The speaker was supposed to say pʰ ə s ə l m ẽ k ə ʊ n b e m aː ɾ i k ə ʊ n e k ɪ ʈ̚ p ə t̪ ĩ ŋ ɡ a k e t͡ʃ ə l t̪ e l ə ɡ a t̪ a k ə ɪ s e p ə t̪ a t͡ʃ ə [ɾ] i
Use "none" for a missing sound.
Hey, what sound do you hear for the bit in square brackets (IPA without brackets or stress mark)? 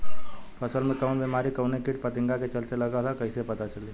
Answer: l